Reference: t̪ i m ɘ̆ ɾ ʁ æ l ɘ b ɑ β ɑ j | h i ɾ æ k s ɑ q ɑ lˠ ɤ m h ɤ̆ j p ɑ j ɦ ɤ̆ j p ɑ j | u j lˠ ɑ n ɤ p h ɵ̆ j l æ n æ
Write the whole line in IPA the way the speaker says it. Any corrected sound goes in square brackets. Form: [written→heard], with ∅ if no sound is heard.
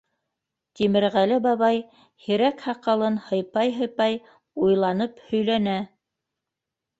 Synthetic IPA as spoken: t̪ i m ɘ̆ ɾ ʁ æ l ɘ b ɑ β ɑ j | h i ɾ æ k [s→h] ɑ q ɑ lˠ ɤ [m→n] h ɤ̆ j p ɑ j ɦ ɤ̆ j p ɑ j | u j lˠ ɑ n ɤ p h ɵ̆ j l æ n æ